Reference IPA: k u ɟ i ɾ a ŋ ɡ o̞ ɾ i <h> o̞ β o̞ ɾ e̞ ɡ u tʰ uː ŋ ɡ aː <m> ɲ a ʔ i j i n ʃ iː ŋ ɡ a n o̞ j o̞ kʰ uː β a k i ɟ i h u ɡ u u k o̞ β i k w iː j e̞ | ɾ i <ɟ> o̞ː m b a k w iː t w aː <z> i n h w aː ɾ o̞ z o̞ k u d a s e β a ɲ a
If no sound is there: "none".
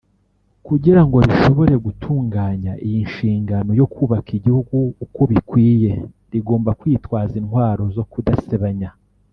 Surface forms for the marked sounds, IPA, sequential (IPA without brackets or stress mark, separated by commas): ʃ, none, ɡ, z